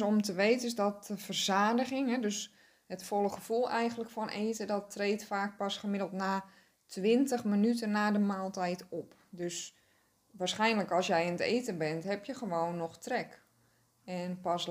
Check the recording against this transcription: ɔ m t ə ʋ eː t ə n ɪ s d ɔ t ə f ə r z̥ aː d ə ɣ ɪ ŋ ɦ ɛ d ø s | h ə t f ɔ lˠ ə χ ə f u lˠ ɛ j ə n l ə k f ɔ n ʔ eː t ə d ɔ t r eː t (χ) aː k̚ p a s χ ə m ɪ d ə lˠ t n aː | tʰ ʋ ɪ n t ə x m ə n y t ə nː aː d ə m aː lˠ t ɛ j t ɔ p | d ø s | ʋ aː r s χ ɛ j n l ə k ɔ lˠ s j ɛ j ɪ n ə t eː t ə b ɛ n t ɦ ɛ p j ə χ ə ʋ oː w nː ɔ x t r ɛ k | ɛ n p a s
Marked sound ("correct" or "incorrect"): incorrect